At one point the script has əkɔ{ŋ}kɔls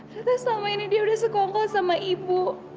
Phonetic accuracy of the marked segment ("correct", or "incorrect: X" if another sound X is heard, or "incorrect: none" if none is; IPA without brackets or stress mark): correct